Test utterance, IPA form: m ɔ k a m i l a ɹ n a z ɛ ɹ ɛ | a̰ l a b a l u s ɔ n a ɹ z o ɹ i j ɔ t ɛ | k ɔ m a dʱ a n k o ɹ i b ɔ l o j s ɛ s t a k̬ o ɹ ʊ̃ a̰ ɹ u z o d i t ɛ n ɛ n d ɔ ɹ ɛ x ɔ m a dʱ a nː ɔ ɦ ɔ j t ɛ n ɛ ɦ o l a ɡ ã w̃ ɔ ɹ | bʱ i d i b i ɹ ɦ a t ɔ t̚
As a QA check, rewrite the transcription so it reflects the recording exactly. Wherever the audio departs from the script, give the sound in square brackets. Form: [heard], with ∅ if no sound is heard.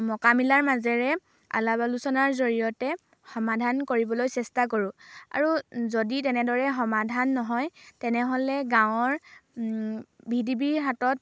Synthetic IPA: m ɔ k a m i l a ɹ [m] a z ɛ ɹ ɛ | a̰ l a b a l u s ɔ n a ɹ z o ɹ i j ɔ t ɛ | [x] ɔ m a dʱ a n k o ɹ i b ɔ l o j s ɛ s t a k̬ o ɹ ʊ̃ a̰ ɹ u z o d i t ɛ n ɛ [∅] d ɔ ɹ ɛ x ɔ m a dʱ a nː ɔ ɦ ɔ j t ɛ n ɛ ɦ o l [ɛ] ɡ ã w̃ ɔ ɹ | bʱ i d i b i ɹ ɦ a t ɔ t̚